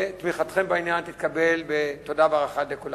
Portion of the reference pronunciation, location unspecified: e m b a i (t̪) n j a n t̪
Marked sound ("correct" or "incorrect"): incorrect